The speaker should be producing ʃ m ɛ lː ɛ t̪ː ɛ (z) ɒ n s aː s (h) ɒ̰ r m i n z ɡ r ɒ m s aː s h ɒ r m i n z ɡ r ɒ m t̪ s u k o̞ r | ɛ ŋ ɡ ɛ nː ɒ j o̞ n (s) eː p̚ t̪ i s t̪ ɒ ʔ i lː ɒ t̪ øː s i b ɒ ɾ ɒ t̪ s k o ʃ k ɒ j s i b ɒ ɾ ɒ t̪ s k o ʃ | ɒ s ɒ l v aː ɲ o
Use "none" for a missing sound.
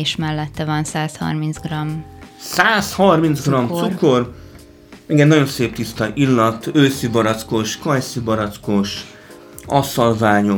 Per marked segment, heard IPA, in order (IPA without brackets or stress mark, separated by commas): v, h, s